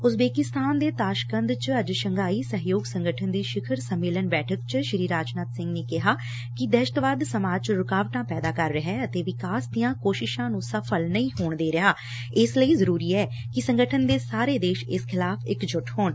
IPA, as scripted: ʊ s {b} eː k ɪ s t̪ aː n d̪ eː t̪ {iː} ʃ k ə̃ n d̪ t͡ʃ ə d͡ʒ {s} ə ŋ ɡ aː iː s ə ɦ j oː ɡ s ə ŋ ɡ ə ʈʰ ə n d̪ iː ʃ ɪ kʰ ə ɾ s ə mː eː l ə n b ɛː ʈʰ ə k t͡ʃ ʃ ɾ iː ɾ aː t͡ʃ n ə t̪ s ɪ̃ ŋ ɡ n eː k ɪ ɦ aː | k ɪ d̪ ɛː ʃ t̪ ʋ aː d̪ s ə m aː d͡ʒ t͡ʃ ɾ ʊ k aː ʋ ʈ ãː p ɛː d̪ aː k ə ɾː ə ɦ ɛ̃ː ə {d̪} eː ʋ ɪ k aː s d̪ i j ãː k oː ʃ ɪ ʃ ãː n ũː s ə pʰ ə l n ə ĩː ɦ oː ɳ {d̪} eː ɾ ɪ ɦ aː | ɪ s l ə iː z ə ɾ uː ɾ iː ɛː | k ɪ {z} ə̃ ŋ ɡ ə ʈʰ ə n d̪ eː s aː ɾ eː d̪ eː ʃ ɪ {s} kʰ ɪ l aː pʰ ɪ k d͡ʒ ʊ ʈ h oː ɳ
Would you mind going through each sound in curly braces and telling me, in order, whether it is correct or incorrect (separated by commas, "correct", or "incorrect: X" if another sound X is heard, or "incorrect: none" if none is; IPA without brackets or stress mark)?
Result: correct, incorrect: aː, incorrect: ʃ, incorrect: t̪, correct, incorrect: s, correct